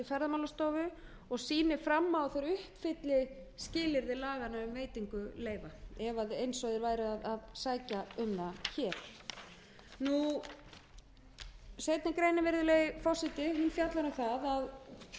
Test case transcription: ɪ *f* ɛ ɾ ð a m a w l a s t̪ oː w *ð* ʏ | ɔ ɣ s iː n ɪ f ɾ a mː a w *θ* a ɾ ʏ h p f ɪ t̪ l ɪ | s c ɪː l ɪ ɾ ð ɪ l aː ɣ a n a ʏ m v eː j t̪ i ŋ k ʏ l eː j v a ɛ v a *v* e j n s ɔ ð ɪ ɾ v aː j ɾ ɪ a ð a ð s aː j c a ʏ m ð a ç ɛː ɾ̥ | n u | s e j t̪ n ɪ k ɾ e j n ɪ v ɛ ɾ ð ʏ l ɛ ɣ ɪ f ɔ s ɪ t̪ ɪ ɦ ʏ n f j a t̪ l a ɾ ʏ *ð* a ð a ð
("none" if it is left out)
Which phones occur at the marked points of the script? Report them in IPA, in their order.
f, v, θ, ð, θ

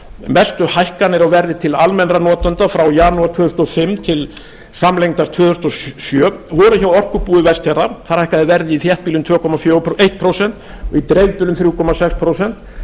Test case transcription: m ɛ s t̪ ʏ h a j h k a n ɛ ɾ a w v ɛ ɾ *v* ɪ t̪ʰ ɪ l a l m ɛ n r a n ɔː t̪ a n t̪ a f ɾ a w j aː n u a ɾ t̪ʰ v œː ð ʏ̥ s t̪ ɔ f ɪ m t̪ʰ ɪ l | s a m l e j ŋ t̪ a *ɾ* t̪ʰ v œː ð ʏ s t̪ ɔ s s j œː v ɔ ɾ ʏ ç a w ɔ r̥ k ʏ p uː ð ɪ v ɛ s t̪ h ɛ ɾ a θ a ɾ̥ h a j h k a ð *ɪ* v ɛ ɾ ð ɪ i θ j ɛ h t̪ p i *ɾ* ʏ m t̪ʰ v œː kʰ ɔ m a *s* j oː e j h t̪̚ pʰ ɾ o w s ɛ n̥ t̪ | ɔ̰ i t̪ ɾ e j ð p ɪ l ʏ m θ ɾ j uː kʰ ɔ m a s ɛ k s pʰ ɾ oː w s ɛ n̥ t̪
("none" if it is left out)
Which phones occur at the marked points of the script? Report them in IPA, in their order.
ð, ɾ, ɪ, l, f

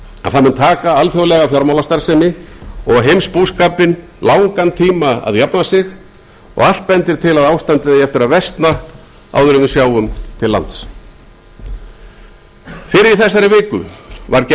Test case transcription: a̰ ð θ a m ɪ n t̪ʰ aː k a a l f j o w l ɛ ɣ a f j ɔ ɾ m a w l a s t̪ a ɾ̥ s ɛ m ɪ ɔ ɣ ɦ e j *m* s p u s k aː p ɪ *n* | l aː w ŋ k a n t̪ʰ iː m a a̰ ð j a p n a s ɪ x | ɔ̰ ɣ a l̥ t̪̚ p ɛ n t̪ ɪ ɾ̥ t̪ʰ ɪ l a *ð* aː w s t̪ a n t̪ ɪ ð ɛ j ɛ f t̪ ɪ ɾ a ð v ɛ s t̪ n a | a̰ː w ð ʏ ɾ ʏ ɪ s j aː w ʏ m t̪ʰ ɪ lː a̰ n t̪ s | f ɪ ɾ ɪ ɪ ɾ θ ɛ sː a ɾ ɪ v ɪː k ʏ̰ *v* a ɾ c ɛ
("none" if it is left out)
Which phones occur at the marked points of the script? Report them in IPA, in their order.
m, n, ð, v

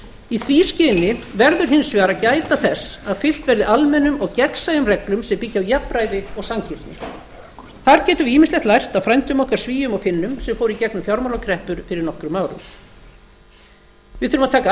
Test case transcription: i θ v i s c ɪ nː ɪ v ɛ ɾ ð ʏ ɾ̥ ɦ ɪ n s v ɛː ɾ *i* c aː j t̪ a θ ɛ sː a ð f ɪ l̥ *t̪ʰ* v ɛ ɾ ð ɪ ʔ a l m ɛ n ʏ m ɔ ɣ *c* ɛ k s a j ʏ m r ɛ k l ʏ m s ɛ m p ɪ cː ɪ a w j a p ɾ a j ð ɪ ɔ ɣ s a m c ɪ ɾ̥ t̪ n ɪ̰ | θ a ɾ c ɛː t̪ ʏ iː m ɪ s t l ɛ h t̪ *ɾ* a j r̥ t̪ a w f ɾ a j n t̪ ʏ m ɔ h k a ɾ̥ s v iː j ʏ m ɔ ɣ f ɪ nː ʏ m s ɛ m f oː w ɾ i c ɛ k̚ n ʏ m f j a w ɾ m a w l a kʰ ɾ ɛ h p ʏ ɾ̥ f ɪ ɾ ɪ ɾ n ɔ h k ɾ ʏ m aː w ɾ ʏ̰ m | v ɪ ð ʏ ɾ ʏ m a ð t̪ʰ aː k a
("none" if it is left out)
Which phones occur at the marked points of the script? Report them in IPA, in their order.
a, t̪, c, l

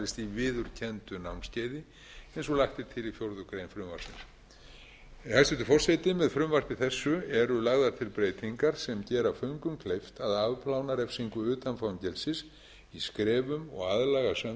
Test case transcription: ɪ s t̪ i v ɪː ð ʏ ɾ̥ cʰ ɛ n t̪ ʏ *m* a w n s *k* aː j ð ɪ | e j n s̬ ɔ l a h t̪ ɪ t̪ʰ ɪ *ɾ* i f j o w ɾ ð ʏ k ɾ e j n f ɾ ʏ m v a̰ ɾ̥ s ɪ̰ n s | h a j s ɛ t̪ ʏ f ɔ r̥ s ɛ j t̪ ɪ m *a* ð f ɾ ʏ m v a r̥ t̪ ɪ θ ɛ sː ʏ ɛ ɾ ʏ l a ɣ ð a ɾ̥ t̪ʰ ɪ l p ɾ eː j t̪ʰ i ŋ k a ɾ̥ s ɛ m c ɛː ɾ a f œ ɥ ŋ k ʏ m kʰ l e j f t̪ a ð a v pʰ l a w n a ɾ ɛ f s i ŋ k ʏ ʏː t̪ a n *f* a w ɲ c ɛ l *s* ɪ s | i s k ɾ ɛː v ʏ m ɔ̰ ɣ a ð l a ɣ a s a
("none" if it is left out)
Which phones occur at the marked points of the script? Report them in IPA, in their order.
n, c, l, ɛ, f, s

